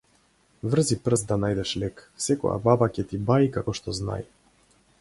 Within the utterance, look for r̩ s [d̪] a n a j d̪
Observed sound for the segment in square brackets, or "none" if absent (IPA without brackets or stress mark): d̪